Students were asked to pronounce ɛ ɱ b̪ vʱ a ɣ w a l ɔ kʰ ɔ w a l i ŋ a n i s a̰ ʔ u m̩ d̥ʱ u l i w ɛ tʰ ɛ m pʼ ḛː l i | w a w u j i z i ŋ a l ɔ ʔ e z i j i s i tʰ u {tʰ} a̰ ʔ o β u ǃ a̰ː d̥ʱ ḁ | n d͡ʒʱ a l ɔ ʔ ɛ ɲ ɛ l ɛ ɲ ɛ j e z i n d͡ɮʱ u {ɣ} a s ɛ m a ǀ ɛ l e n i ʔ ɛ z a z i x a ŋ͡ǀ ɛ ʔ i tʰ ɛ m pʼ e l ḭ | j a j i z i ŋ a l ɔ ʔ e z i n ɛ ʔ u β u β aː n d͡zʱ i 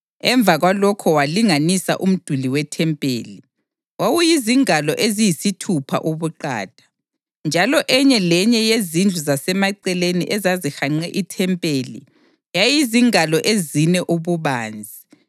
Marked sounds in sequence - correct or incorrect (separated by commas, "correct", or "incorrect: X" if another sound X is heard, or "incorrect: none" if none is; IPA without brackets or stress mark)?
incorrect: pʰ, incorrect: z